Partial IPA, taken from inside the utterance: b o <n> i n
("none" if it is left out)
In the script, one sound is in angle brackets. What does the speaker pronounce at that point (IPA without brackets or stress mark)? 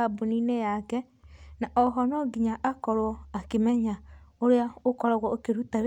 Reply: n